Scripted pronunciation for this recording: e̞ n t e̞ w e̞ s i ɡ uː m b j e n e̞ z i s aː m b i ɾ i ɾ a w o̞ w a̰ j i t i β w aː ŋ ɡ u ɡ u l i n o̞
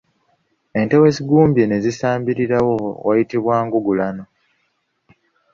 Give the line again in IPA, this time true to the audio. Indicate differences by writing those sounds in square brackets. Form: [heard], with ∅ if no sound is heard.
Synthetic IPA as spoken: e̞ n t e̞ w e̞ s i ɡ uː m b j e n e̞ z i s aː m b i ɾ i ɾ a w o̞ w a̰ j i t i β w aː ŋ ɡ u ɡ u l [a] n o̞